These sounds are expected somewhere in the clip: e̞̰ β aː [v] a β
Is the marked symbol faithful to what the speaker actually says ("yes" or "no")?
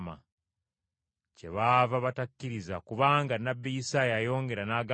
yes